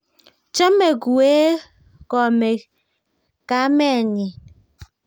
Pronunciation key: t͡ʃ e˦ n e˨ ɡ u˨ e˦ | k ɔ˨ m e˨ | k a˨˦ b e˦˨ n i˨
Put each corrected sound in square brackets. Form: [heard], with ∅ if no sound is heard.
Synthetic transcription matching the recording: t͡ʃ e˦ [m] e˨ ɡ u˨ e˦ | k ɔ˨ m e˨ | k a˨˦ [m] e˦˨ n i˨